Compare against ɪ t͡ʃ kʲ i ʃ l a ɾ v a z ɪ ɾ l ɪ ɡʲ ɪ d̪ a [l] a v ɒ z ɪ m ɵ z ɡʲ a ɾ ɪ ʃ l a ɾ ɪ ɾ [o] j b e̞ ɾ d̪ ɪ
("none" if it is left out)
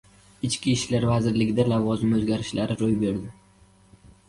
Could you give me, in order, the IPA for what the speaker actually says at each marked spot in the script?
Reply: l, o

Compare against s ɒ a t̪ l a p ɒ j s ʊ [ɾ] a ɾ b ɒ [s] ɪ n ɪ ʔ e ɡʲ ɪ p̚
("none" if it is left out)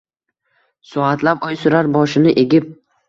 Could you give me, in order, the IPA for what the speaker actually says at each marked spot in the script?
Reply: ɾ, ʃ

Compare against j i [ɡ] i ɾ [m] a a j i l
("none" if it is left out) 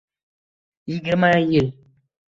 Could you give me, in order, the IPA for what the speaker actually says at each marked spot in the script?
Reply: ɡ, m

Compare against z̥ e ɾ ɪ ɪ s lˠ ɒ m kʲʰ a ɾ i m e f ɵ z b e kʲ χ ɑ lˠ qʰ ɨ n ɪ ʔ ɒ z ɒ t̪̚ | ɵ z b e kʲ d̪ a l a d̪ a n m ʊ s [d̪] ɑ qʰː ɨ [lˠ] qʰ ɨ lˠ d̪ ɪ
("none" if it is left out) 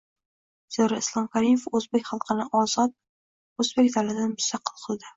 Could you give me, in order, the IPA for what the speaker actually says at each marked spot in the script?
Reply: t̪, lˠ

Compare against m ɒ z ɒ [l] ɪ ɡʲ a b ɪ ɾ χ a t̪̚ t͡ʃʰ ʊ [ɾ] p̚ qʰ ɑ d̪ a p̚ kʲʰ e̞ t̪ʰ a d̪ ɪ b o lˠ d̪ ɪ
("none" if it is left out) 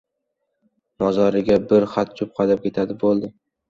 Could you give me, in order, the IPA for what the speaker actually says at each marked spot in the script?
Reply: ɾ, none

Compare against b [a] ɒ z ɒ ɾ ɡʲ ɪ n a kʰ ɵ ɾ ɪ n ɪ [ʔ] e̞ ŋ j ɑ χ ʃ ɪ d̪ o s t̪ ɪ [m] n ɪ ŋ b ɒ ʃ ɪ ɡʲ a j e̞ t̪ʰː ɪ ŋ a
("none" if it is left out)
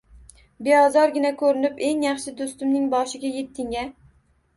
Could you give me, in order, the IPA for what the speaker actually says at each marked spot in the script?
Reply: e, p, m

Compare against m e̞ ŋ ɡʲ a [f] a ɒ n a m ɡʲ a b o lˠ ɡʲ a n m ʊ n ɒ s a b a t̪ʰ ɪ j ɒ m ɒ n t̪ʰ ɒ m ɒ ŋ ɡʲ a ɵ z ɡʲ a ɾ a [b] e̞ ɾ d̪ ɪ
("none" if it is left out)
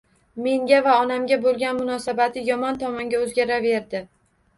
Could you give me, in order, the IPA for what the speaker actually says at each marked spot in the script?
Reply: v, v

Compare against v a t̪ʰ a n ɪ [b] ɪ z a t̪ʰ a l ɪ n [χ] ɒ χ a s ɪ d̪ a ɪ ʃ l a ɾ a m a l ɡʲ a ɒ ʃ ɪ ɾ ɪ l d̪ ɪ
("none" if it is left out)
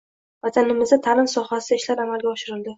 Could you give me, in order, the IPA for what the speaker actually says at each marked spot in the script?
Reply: m, s

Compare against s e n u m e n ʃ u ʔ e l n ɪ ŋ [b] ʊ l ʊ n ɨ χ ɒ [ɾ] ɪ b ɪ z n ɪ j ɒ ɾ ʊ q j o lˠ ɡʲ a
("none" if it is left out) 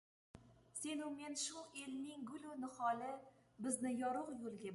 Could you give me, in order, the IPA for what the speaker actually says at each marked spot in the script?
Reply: ɡ, l

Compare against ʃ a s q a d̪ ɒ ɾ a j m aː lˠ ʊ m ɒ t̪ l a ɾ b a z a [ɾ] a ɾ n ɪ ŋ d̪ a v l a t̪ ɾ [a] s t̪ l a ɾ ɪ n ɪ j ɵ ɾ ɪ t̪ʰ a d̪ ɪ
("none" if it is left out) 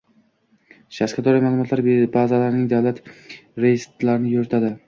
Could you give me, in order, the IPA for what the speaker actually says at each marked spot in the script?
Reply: l, e

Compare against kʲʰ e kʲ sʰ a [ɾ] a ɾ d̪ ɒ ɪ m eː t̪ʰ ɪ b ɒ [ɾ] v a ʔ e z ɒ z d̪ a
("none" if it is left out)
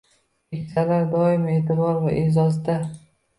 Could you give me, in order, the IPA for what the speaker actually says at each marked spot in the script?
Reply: l, ɾ

